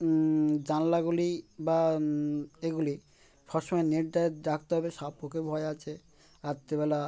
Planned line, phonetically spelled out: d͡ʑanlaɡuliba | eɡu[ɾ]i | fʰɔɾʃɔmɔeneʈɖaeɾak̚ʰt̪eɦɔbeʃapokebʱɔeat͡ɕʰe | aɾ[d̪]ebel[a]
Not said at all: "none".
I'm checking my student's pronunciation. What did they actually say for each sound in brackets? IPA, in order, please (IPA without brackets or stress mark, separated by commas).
l, t̪, a